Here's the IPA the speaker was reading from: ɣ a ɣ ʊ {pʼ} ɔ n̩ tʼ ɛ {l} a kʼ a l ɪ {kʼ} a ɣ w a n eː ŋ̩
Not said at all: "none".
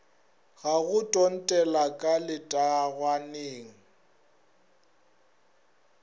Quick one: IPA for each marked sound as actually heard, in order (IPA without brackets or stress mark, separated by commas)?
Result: tʼ, l, tʼ